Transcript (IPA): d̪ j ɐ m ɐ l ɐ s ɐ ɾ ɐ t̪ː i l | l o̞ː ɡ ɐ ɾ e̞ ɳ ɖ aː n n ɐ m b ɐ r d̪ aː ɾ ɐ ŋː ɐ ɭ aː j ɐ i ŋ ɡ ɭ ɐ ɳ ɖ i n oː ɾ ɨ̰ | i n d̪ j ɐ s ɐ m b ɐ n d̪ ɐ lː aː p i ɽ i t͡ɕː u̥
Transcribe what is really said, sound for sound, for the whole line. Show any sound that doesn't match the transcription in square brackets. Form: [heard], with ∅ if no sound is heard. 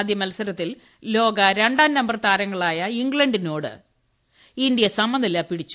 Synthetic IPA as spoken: d̪ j ɐ m ɐ l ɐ s ɐ ɾ ɐ t̪ː i l | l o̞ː ɡ ɐ ɾ e̞ ɳ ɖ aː n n ɐ m b ɐ r [t̪] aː ɾ ɐ ŋː ɐ ɭ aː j ɐ i ŋ ɡ ɭ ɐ ɳ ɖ i n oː [ɽ] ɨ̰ | i n d̪ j ɐ s ɐ m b ɐ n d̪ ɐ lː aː p i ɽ i t͡ɕː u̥